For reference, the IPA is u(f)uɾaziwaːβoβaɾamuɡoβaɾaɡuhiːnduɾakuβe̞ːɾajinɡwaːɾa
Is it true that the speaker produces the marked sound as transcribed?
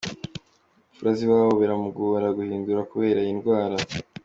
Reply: yes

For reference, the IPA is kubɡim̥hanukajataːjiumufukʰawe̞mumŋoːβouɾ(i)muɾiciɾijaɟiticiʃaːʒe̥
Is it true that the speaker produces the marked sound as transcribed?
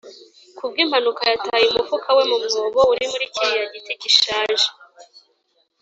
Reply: yes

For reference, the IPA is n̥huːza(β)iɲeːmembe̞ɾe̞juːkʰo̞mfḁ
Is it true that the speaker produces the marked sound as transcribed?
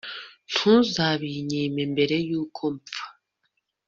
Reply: yes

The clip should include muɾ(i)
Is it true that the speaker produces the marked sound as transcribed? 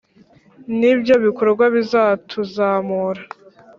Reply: no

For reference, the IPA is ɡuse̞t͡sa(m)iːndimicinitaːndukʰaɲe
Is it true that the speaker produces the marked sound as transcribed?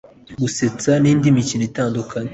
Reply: no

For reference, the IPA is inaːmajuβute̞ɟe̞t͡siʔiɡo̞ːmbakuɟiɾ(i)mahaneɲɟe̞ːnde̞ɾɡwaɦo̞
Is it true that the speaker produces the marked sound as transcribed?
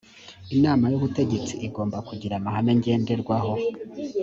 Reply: no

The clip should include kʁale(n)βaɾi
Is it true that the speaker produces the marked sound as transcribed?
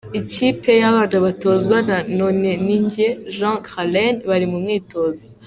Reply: yes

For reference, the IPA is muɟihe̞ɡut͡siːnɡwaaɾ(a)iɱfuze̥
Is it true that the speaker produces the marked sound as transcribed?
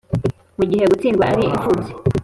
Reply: no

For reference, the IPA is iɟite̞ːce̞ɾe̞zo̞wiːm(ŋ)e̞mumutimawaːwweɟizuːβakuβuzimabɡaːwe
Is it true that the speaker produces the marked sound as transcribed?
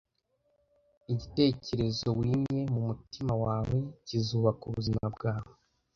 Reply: no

